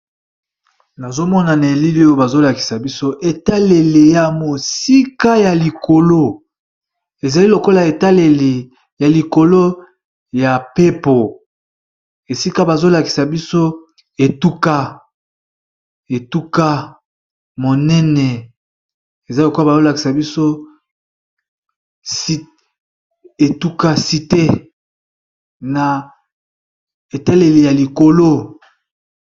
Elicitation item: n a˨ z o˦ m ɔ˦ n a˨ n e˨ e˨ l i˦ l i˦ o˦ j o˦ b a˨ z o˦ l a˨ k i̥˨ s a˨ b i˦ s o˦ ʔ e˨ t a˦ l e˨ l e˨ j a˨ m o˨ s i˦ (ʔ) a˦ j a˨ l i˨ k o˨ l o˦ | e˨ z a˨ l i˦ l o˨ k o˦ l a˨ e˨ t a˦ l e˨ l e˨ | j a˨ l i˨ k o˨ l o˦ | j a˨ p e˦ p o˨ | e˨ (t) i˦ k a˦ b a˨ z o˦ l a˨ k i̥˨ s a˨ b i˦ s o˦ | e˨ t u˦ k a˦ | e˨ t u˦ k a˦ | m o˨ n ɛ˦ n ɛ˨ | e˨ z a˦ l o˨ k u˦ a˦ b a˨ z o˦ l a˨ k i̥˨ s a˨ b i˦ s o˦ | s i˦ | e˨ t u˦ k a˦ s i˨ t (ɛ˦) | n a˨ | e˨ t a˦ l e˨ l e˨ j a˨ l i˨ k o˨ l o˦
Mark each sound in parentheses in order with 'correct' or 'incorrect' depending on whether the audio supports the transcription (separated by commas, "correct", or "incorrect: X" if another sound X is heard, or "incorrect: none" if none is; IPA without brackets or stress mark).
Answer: incorrect: k, incorrect: s, incorrect: e˦